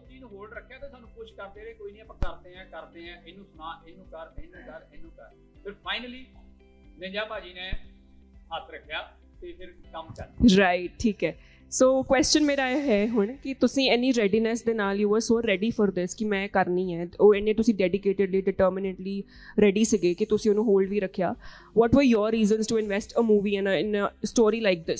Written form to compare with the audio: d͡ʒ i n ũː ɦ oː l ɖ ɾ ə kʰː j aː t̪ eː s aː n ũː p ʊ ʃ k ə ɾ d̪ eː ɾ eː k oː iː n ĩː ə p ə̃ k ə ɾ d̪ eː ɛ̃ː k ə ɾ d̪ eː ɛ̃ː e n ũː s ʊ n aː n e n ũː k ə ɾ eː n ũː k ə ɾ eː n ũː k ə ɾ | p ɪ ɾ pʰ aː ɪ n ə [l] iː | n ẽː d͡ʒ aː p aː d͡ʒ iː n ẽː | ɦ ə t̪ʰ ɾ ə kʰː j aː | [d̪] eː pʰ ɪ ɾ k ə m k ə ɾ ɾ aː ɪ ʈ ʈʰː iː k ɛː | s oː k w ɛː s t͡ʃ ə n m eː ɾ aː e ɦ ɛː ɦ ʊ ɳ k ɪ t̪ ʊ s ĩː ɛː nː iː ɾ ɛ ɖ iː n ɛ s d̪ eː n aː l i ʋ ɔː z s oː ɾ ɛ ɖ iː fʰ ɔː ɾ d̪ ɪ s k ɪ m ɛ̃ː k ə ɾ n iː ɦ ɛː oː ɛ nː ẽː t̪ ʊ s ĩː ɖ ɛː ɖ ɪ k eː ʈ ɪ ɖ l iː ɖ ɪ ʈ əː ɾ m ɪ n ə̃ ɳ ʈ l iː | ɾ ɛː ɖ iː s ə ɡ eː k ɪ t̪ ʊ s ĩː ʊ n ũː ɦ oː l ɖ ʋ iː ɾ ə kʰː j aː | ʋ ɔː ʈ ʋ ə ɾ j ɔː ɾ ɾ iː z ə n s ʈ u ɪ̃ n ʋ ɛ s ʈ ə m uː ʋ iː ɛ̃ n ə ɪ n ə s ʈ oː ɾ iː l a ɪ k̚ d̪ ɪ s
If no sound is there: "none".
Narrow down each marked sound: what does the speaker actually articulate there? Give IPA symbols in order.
l, t̪

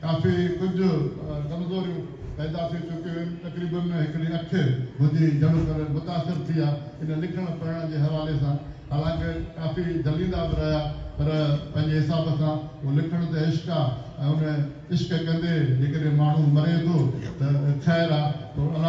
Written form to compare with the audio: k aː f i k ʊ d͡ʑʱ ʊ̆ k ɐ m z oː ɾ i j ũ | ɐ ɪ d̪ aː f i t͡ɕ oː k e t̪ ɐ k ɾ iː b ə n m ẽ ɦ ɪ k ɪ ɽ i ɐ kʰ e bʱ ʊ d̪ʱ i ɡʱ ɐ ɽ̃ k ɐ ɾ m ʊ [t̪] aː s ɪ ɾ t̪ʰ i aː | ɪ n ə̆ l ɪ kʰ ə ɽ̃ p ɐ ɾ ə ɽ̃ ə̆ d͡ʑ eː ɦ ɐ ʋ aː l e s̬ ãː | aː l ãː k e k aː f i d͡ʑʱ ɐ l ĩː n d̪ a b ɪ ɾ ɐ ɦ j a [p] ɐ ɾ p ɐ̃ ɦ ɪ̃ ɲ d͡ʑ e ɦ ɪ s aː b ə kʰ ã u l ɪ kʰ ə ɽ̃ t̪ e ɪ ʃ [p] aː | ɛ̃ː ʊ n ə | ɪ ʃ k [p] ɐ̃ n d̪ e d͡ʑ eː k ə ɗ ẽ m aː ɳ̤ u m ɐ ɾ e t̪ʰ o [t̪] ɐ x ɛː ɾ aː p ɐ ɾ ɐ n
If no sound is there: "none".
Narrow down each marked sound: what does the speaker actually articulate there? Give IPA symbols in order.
t̪, p, k, k, t̪

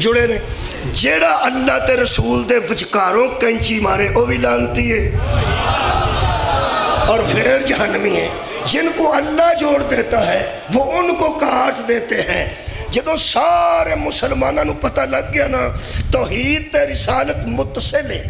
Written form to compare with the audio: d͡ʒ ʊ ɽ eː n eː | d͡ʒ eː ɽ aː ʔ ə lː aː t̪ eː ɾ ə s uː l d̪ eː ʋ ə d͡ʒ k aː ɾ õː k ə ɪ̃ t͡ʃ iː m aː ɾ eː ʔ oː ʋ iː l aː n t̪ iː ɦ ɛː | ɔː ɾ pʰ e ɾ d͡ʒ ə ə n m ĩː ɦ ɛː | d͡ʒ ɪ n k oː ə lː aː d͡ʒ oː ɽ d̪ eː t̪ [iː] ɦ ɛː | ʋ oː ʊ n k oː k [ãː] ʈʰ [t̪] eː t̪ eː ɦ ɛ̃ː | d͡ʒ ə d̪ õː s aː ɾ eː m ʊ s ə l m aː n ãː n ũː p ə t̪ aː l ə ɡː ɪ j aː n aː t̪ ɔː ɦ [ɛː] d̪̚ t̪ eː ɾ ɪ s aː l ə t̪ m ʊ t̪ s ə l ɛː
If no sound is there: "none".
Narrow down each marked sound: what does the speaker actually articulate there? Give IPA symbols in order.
aː, aː, d̪, iː

